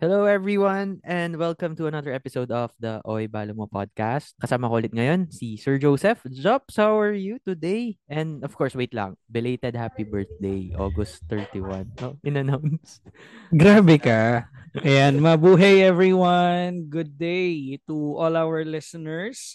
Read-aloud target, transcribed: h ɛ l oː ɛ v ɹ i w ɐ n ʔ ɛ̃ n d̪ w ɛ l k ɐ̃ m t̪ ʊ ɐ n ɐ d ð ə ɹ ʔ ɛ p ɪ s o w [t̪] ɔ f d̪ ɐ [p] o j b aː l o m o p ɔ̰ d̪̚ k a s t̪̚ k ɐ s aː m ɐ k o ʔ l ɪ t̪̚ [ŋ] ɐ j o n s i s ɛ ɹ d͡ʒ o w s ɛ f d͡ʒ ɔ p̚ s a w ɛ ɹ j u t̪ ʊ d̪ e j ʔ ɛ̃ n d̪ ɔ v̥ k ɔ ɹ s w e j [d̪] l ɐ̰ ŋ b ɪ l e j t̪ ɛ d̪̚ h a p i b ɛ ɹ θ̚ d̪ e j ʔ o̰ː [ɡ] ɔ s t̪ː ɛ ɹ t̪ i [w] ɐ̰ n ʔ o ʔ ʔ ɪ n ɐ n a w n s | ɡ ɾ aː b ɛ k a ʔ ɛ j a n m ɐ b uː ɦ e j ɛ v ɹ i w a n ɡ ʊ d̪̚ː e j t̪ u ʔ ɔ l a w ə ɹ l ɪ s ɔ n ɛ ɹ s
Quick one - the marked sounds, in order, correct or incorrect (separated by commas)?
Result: incorrect, incorrect, correct, incorrect, correct, correct